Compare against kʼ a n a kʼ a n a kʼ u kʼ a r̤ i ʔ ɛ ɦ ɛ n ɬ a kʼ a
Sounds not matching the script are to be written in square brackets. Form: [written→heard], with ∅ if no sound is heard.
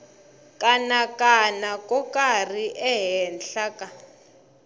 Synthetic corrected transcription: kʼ a n a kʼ a n a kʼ [u→ɔ] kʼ a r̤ i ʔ ɛ ɦ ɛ n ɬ a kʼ a